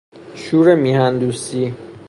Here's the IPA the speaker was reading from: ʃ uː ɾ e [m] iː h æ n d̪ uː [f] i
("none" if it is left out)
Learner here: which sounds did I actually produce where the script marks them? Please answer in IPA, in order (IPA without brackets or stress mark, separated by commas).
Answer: m, s